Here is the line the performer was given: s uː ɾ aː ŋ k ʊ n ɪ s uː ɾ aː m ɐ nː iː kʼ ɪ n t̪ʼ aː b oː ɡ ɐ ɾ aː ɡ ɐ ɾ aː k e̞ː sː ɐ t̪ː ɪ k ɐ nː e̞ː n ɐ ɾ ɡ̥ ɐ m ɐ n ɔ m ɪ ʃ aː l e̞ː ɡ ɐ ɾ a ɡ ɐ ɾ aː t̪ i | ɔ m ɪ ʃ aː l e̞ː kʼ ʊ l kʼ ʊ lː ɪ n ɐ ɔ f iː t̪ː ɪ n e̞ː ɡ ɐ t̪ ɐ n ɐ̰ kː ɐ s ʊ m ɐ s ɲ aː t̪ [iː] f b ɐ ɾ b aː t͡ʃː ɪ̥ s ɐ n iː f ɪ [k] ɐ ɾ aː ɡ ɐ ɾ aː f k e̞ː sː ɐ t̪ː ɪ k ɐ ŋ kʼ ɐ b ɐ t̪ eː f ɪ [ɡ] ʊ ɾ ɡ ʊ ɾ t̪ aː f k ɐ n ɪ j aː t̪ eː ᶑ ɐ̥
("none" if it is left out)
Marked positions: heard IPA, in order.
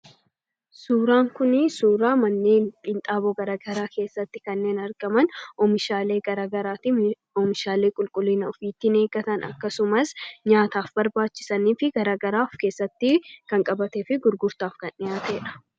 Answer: aː, ɡ, ɡ

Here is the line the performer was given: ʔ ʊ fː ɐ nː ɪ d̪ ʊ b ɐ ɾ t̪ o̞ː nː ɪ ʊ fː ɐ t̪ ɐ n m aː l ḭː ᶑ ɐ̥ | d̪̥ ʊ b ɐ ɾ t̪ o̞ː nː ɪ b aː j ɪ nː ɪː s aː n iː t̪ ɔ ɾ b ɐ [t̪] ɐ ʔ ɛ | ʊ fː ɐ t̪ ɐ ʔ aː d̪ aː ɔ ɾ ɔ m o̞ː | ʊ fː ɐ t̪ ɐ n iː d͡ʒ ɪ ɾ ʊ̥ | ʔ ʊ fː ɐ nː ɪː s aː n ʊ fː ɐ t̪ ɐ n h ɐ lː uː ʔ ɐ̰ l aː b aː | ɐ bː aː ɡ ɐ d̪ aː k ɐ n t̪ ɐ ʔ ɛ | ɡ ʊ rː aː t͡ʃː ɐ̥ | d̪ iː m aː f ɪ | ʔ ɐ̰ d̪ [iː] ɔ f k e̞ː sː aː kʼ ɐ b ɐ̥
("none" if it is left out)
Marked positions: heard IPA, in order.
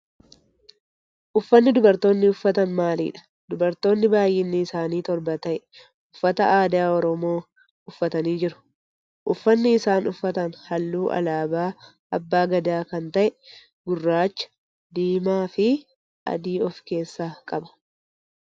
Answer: t̪, iː

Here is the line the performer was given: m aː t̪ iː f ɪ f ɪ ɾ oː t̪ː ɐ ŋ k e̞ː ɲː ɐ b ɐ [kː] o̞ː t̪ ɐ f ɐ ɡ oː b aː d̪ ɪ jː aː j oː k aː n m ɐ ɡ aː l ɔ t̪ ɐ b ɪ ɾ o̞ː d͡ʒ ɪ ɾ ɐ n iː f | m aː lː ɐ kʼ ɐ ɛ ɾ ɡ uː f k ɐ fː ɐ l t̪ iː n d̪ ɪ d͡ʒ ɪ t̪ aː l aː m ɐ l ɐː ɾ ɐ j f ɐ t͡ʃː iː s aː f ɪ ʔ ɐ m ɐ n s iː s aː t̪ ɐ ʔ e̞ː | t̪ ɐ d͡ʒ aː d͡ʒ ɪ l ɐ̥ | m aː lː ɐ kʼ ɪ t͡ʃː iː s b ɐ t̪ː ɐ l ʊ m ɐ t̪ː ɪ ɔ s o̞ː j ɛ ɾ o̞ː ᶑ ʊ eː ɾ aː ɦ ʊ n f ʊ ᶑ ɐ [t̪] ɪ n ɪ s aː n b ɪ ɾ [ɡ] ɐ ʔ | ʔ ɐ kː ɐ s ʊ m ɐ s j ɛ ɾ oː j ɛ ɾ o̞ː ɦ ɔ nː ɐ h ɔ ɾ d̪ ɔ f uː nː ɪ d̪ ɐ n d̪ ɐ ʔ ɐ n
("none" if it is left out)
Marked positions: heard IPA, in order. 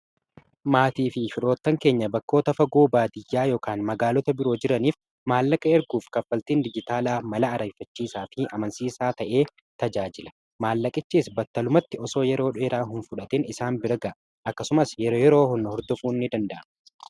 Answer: kː, t̪, ɡ

